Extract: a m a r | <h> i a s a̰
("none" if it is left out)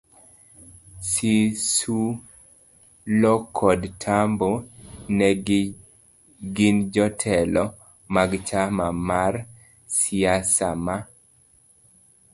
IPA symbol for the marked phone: s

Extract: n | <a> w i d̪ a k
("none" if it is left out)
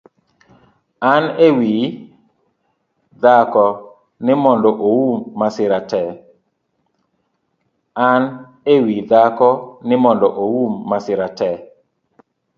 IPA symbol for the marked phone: e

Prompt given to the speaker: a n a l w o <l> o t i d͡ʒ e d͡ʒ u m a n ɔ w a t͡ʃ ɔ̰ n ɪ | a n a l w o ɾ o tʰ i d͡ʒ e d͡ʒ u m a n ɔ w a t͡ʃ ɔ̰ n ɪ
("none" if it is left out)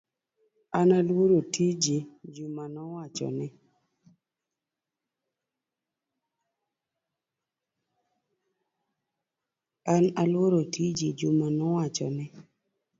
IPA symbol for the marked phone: ɾ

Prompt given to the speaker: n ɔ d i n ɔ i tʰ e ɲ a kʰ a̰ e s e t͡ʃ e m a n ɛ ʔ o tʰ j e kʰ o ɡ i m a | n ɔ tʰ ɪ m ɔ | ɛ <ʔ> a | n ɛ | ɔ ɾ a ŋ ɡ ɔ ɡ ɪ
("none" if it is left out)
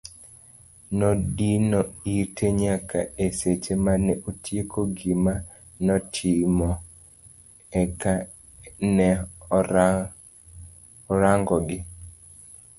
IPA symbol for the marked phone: k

